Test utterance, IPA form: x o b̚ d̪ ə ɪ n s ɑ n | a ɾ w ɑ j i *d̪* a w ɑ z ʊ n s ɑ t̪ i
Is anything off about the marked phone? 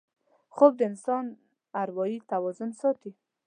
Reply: yes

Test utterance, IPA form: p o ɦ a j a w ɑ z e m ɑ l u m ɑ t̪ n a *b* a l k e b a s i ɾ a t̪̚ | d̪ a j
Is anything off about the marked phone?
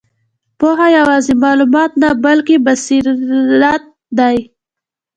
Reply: no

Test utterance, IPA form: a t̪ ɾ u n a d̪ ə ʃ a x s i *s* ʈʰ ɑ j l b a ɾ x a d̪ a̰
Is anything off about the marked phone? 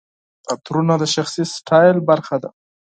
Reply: no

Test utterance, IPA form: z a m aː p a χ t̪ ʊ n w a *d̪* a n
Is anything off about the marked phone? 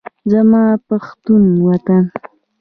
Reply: yes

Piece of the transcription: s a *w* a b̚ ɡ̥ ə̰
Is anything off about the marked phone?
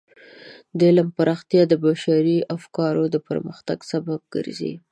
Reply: yes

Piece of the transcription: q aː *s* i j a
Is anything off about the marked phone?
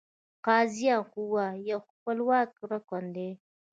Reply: yes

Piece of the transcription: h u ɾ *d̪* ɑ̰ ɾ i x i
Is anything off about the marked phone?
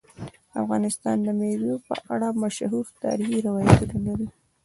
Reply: yes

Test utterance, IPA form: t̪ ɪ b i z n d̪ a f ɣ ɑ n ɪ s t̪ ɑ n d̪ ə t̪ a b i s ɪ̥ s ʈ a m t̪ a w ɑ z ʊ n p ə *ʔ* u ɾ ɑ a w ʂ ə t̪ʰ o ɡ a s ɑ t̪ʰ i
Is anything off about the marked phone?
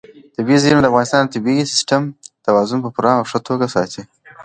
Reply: yes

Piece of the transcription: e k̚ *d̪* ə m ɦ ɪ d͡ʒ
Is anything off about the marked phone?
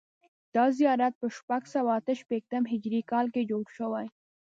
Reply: yes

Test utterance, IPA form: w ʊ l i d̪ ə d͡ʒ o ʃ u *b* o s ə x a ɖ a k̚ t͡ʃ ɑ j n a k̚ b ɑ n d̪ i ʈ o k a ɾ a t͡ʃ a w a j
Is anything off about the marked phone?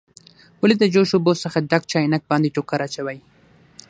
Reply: no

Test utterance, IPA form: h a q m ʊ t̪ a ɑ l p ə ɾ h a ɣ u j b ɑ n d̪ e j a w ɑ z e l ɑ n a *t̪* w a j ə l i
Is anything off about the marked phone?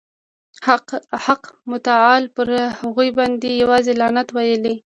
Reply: no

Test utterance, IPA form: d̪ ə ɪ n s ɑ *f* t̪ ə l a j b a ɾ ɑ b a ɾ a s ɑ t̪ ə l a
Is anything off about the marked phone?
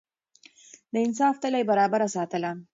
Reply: no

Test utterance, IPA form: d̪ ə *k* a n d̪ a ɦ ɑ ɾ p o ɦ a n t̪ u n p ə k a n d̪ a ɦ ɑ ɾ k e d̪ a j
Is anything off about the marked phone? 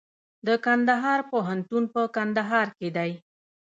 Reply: no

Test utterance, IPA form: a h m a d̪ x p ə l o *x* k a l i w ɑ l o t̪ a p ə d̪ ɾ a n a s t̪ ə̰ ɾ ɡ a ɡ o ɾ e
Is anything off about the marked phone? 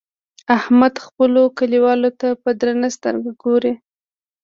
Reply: yes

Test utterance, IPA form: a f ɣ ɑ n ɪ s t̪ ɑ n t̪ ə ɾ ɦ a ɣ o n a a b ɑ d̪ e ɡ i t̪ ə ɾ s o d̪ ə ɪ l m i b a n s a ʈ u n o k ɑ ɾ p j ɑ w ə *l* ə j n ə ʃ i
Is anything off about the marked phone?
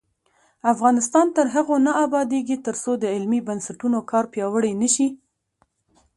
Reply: yes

